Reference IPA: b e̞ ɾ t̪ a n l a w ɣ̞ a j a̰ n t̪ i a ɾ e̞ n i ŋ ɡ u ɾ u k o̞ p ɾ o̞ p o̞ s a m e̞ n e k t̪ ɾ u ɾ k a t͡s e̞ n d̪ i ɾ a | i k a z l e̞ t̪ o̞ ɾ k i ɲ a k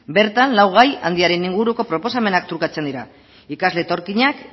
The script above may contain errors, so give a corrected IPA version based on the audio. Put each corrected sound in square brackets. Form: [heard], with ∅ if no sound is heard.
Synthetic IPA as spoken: b e̞ ɾ t̪ a n l a w ɣ̞ a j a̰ n [d̪] i a ɾ e̞ n i ŋ ɡ u ɾ u k o̞ p ɾ o̞ p o̞ s a m e̞ n [a] k t̪ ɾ u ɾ k a t͡s e̞ n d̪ i ɾ a | i k a z l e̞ t̪ o̞ ɾ k i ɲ a k